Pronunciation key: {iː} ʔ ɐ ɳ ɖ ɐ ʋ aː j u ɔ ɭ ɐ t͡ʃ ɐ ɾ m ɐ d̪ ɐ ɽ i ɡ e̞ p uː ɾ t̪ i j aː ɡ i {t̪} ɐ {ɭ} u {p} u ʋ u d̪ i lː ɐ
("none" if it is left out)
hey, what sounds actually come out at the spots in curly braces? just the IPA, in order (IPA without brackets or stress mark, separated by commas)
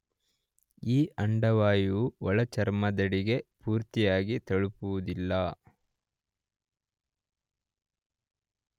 iː, t̪, ɭ, p